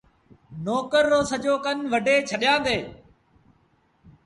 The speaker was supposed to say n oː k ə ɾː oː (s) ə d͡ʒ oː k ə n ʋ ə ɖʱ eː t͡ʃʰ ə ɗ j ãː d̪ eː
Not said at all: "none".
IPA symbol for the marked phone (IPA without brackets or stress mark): s